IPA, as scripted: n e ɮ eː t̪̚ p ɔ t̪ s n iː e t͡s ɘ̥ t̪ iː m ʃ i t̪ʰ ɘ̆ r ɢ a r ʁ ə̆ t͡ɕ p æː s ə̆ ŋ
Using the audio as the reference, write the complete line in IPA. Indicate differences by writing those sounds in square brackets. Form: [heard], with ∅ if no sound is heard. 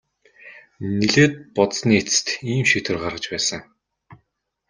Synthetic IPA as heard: n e ɮ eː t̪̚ p ɔ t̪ s n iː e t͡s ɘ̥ t̪ iː m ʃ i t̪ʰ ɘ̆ r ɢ a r ʁ ə̆ t͡ɕ p æː s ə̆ ŋ